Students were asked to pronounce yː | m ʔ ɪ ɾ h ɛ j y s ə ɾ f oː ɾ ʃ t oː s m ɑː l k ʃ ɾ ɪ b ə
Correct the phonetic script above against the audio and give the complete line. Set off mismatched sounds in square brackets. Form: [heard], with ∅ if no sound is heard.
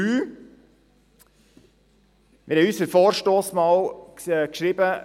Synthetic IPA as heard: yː | m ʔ ɪ ɾ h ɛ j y s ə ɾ f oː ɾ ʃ t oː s m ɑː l k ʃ ɾ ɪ b ə